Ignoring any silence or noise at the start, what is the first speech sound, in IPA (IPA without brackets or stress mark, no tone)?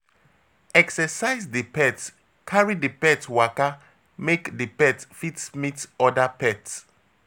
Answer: ɛ